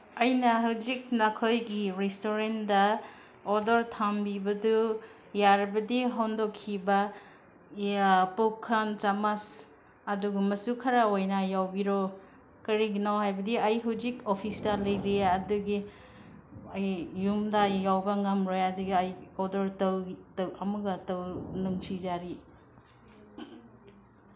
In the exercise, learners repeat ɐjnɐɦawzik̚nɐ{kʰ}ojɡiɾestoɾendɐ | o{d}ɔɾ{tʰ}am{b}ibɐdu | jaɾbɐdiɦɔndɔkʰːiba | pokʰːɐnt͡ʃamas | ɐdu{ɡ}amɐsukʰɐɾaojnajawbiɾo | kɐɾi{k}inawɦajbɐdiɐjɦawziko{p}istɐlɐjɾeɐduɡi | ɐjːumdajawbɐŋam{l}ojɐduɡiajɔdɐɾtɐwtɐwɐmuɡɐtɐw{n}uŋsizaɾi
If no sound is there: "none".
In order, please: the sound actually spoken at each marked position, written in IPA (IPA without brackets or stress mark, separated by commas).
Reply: kʰ, d, tʰ, b, ɡ, ɡ, pʰ, ɾ, n